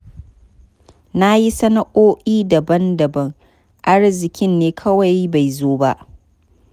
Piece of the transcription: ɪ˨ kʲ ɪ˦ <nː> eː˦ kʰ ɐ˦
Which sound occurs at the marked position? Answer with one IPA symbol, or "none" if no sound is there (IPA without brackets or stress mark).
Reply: nː